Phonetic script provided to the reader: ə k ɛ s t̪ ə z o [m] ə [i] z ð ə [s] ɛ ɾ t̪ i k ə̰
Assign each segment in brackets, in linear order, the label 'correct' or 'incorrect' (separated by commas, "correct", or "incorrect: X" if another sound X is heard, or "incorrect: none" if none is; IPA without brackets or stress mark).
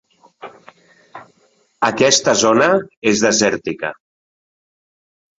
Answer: incorrect: n, incorrect: e, incorrect: z